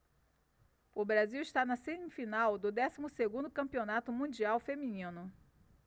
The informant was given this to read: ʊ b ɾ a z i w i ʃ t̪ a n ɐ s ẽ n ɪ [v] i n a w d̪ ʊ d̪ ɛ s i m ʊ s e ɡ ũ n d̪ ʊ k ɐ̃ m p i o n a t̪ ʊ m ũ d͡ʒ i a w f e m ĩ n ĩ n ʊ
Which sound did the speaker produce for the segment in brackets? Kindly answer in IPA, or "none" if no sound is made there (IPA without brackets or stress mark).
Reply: f